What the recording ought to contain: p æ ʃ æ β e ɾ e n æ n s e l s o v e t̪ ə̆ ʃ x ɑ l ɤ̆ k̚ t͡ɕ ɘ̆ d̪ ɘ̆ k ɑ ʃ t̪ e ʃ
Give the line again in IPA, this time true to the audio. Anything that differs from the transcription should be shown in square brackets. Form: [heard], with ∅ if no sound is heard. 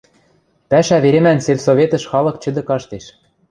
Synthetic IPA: p æ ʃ æ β e ɾ e [m] æ n s e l s o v e t̪ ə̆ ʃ x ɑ l ɤ̆ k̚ t͡ɕ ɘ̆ d̪ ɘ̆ k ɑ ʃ t̪ e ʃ